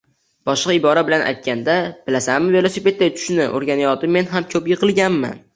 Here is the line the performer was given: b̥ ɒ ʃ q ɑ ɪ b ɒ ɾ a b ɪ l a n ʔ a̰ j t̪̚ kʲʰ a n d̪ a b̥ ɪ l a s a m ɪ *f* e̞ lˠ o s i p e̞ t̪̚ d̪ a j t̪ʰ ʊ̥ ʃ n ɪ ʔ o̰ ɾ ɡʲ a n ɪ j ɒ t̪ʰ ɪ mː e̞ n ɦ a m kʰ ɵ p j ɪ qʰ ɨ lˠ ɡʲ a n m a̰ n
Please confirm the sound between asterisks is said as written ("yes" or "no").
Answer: no